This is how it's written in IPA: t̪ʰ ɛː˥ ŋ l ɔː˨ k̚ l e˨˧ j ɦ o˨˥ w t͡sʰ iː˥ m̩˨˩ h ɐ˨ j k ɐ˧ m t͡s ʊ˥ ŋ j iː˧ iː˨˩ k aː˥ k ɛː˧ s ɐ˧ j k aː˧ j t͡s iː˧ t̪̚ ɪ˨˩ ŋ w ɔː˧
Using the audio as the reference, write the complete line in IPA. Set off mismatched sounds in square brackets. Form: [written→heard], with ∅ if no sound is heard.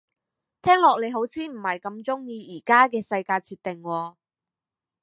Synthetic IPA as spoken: t̪ʰ ɛː˥ ŋ l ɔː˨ k̚ l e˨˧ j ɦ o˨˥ w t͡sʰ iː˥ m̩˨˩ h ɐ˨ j k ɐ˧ m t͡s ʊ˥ ŋ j iː˧ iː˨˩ k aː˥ k ɛː˧ s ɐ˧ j k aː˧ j [t͡s→t͡sʰ] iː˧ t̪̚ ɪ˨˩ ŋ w ɔː˧